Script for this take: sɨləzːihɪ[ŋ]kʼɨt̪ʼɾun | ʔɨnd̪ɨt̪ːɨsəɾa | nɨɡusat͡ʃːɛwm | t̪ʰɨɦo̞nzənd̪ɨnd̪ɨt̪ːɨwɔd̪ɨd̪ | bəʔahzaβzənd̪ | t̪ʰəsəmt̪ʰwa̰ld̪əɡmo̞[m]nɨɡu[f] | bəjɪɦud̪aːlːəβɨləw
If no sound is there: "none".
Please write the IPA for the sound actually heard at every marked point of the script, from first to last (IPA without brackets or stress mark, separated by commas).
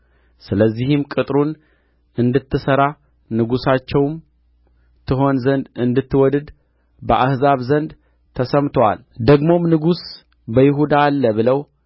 m, m, s